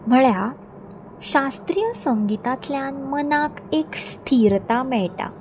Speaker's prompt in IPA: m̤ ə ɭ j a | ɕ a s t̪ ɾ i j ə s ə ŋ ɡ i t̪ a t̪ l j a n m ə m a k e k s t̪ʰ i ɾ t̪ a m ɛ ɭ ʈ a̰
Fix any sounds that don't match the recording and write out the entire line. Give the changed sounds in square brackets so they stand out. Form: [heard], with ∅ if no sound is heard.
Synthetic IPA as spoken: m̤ ə ɭ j a | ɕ a s t̪ ɾ i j ə s ə ŋ ɡ i t̪ a t̪ l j a n m ə [n] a k e k s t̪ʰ i ɾ t̪ a m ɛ ɭ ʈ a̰